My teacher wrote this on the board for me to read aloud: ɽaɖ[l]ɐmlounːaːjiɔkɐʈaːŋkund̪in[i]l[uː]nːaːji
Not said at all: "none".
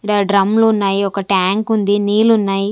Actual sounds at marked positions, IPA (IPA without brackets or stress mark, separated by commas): ɾ, iː, u